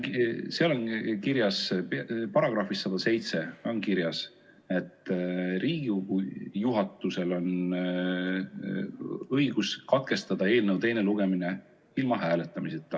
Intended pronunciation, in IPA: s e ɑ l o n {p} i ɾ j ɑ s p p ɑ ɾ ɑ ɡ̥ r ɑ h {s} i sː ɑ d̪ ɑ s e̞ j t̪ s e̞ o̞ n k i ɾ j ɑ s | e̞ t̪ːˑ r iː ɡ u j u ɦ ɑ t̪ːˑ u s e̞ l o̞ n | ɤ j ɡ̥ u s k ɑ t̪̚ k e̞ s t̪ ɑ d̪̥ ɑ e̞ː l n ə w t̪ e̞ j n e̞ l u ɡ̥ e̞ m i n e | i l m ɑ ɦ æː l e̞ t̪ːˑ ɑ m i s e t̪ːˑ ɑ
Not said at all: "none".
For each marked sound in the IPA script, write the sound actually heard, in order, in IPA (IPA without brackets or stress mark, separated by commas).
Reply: k, f